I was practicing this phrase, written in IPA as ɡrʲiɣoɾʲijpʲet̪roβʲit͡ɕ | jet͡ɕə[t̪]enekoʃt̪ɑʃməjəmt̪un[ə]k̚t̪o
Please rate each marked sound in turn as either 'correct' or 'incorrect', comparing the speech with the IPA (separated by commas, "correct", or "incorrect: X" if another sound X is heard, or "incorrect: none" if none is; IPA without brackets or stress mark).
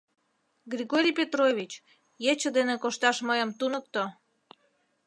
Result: incorrect: d̪, correct